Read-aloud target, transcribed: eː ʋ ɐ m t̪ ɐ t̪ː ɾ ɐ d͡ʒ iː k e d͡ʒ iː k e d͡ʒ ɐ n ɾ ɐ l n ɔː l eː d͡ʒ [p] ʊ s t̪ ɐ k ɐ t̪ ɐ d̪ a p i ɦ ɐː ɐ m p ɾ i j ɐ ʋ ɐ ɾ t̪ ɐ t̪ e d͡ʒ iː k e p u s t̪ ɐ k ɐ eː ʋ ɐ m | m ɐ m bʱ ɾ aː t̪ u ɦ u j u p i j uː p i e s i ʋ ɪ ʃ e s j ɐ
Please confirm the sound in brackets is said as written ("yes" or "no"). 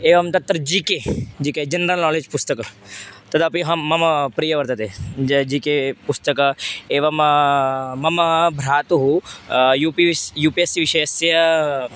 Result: yes